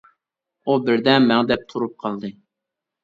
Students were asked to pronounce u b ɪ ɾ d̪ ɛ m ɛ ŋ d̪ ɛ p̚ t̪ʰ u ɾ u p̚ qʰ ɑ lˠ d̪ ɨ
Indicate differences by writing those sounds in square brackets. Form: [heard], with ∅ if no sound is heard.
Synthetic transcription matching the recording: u b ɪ ɾ d̪ ɛ m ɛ ŋ d̪ ɛ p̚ t̪ʰ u ɾ u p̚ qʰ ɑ lˠ d̪ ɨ